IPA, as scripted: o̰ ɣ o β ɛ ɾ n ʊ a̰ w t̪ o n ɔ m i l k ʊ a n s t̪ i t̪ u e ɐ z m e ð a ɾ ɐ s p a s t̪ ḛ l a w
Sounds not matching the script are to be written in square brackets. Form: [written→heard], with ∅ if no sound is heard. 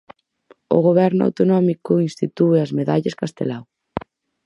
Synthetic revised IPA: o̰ ɣ o β ɛ ɾ n ʊ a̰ w t̪ o n ɔ m i [l→∅] k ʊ [a→i] n s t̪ i t̪ u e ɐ z m e ð a [ɾ→ʎ] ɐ s [p→k] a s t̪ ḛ l a w